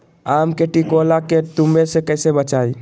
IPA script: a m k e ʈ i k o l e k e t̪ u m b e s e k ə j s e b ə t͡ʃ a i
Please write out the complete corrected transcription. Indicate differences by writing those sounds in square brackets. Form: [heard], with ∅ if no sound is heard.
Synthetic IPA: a m k e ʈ i k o l [a] k e t̪ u m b e s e k ə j s e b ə t͡ʃ a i